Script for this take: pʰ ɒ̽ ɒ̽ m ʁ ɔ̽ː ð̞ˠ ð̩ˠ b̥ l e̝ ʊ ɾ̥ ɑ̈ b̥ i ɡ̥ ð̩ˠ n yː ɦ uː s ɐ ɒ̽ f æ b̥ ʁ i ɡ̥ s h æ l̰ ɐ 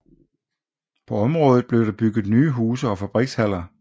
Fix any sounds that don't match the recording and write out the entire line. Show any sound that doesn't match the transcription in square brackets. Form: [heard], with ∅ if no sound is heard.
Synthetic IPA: pʰ ɒ̽ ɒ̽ m ʁ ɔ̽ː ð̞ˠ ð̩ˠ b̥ l e̝ ʊ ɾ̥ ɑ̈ b̥ [y] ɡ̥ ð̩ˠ n yː ɦ uː s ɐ ɒ̽ f æ b̥ ʁ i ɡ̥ s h æ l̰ ɐ